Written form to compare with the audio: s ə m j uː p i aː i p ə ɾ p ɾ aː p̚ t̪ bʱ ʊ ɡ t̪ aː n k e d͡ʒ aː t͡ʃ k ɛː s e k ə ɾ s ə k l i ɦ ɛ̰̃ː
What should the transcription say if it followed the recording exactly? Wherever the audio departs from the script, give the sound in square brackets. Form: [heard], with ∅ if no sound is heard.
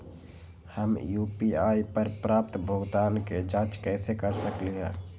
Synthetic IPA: [h] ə m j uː p i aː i p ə ɾ p ɾ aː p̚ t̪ bʱ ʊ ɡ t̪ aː n k e d͡ʒ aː t͡ʃ k ɛː s e k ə ɾ s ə k l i ɦ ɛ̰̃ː